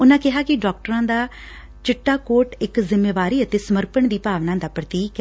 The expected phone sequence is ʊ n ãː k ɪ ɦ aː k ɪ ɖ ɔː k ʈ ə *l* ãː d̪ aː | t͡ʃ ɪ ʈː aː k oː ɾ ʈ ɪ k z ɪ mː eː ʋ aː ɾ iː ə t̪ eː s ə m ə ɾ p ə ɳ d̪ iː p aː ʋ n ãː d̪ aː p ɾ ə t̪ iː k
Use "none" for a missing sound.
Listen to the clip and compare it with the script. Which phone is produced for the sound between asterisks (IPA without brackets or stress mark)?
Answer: ɾ